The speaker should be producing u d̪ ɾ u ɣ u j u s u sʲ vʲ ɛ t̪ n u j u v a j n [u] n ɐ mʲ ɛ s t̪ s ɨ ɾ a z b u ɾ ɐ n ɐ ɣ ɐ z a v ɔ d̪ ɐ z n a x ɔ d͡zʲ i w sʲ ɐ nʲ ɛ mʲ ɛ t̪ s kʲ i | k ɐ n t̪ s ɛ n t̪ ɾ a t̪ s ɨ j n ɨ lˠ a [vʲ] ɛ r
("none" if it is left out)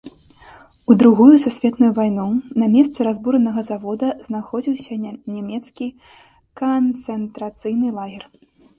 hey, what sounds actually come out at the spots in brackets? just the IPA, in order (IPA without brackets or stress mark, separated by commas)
u, ɣʲ